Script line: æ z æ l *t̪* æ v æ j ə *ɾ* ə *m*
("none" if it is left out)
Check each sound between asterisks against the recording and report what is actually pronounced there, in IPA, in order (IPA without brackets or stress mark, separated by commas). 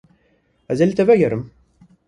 t̪, ɾ, m